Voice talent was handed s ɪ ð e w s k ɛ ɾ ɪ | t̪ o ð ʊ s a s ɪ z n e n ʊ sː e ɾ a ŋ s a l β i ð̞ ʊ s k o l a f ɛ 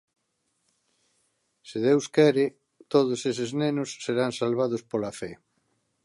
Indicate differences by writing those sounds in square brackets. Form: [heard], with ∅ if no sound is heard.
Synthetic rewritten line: s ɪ ð e w s k ɛ ɾ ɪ | t̪ o ð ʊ s [e] s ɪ z n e n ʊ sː e ɾ a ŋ s a l β [a] ð̞ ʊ s [p] o l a f ɛ